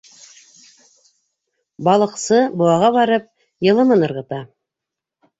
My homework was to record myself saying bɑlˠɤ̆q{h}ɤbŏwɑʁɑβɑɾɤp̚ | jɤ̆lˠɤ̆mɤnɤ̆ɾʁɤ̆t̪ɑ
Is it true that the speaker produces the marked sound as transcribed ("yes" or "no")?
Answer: no